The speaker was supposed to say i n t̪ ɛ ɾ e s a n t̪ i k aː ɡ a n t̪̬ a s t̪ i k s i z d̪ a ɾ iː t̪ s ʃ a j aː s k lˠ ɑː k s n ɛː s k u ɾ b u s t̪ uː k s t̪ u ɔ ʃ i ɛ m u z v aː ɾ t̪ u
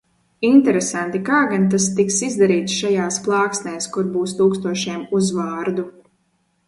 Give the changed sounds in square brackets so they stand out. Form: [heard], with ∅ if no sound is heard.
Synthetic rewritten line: i n t̪ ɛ ɾ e s a n t̪ i k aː ɡ a n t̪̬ a s t̪ i k s i z d̪ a ɾ iː t̪ s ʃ a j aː s [p] lˠ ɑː k s n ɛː s k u ɾ b [uː] s t̪ uː k s t̪ u ɔ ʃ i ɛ m u z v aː ɾ [d̪] u